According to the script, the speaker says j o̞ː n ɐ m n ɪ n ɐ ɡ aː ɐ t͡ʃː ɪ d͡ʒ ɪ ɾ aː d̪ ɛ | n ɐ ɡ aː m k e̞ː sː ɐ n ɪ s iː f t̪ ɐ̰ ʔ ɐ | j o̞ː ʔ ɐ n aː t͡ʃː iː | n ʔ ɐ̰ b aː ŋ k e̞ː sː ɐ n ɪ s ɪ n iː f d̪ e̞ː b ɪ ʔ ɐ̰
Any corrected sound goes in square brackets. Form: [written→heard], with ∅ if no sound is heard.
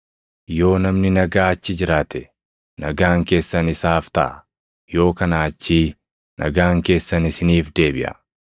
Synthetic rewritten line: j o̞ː n ɐ m n ɪ n ɐ ɡ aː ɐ t͡ʃː ɪ d͡ʒ ɪ ɾ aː [d̪→t̪] ɛ | n ɐ ɡ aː [m→ŋ] k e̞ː sː ɐ n ɪ s [iː→aː] f t̪ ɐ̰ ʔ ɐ | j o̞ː [ʔ→k] ɐ n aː t͡ʃː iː | n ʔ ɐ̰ [b→ɡ] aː ŋ k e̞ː sː ɐ n ɪ s ɪ n iː f d̪ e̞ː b ɪ ʔ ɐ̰